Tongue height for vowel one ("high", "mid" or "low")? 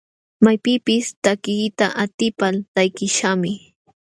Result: low